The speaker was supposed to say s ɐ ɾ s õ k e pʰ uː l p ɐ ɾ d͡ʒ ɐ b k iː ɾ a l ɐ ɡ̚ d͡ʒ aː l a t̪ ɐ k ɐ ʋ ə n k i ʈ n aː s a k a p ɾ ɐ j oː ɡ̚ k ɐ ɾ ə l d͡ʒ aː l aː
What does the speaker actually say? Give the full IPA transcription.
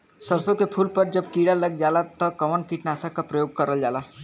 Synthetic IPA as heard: s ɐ ɾ s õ k e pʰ uː l p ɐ ɾ d͡ʒ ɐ b k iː ɽ a l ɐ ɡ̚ d͡ʒ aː l a t̪ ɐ k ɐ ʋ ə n k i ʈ n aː s a k a p ɾ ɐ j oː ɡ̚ k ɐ ɾ ə l d͡ʒ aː l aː

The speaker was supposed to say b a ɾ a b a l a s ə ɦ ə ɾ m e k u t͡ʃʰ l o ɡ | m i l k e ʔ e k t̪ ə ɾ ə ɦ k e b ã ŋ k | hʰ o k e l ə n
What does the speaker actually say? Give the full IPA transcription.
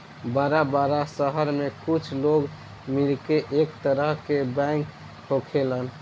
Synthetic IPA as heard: b a ɾ a b a ɾ a s ə ɦ ə ɾ m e k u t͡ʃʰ l o ɡ | m i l k e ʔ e k t̪ ə ɾ ə ɦ k e b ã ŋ k | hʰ o kʰ e l ə n

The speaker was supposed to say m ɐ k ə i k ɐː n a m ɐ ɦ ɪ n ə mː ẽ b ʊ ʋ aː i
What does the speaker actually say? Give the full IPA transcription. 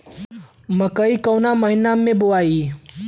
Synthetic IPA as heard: m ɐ k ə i k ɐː n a m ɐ ɦ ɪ n a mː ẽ b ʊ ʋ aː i

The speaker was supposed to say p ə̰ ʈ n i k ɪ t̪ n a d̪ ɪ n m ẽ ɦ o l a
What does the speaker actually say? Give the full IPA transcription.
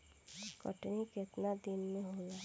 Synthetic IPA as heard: k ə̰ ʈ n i k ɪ t̪ n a d̪ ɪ n m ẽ ɦ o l a

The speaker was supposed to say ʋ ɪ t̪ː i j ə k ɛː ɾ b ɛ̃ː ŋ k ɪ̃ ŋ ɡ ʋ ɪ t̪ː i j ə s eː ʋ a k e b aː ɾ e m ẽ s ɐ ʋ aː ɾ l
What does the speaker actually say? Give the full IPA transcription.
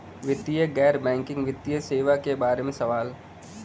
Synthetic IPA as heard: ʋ ɪ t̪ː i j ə ɡ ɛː ɾ b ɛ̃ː ŋ k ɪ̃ ŋ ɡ ʋ ɪ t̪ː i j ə s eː ʋ a k e b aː ɾ e m ẽ s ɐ ʋ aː l

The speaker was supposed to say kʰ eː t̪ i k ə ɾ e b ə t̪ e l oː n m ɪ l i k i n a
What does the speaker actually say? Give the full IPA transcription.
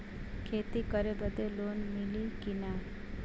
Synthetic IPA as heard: kʰ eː t̪ i k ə ɾ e b ə d̪ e l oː n m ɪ l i k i n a

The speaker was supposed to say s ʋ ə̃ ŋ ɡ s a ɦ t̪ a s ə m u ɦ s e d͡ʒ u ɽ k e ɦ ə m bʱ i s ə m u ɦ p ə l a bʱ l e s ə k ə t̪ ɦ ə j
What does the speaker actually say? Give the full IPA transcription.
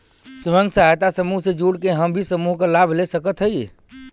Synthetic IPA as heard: s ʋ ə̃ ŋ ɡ s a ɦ t̪ a s ə m u ɦ s e d͡ʒ u ɽ k e ɦ ə m bʱ i s ə m u ɦ k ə l a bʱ l e s ə k ə t̪ ɦ ə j

